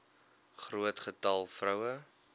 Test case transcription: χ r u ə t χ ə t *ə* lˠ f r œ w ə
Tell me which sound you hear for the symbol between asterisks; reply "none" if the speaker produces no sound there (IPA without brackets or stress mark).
ɐ